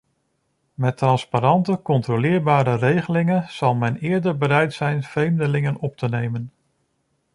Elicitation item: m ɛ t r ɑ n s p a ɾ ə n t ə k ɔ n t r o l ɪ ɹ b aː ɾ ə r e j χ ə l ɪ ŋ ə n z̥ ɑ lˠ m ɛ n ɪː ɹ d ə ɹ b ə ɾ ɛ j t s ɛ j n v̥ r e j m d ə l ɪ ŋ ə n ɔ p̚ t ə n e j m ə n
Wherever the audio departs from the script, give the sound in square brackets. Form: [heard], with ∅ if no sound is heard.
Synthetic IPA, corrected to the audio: m ɛ t r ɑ n s p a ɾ [ɑ] n t ə k ɔ n t r o l [ɪː] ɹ b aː ɾ ə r e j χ ə l ɪ ŋ ə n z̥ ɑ lˠ m ɛ n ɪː ɹ d ə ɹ b ə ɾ ɛ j t s ɛ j n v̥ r e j m d ə l ɪ ŋ ə n ɔ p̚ t ə n e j m ə n